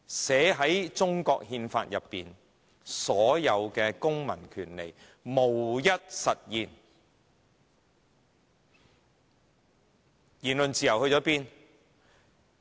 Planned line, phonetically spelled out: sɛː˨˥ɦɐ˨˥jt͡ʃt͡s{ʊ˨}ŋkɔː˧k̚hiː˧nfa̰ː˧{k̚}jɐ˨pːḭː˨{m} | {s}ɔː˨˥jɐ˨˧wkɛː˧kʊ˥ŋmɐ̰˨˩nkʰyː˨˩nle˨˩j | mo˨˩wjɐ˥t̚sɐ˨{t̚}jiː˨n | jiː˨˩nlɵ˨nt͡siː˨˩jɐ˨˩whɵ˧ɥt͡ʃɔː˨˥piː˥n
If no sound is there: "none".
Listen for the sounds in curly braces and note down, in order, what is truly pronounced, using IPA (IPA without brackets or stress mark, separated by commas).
ʊ˥, t̚, n, s, t̚